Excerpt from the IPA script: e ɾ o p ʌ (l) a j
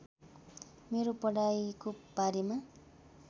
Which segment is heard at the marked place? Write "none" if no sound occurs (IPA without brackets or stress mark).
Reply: ɽ